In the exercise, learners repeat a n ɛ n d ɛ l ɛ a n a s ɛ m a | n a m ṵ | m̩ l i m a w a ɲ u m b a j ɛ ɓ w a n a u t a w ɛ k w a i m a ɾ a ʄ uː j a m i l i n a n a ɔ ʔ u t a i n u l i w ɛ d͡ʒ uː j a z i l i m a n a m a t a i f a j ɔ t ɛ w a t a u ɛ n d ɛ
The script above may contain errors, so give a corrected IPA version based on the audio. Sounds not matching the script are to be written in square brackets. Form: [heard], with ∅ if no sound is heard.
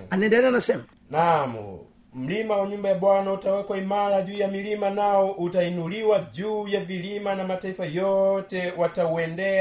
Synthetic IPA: a n ɛ n d ɛ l ɛ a n a s ɛ m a | n a m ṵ | m̩ l i m a w a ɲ u m b a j [a] ɓ w a n a u t a w ɛ k w a i m a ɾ a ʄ uː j a m i l i [m] a n a ɔ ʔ u t a i n u l i w [a] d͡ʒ uː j a [v] i l i m a n a m a t a i f a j ɔ t ɛ w a t a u ɛ n d ɛ